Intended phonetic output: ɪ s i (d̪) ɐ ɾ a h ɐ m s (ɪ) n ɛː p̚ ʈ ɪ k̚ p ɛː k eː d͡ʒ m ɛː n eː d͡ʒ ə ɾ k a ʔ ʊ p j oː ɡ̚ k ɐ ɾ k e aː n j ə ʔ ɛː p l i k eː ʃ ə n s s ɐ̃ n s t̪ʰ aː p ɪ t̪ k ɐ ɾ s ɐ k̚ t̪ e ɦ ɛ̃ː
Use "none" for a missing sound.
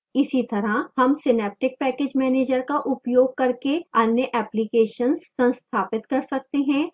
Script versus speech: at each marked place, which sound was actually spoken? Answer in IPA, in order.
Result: t̪, ɪ

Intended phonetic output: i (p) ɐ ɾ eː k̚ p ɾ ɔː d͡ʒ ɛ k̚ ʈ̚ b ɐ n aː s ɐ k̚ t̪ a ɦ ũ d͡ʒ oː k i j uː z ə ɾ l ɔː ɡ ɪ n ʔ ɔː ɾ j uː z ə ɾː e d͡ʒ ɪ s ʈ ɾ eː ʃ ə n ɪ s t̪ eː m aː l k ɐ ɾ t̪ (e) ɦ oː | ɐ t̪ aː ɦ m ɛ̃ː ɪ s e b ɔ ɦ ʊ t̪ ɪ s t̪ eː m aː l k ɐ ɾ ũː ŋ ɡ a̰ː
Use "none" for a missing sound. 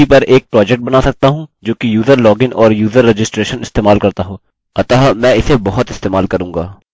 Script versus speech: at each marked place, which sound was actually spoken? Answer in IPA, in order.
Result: p, a

